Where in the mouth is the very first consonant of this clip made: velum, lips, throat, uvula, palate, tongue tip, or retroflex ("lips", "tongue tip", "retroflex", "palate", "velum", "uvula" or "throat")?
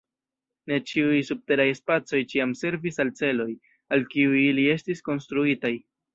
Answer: tongue tip